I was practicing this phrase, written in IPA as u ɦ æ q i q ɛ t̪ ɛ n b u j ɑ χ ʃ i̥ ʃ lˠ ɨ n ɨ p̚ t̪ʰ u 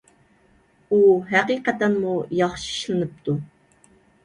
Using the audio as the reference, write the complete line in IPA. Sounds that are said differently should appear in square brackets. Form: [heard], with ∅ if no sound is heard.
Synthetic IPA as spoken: u ɦ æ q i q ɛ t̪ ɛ n [m] u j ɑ χ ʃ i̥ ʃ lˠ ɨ n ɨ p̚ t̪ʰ u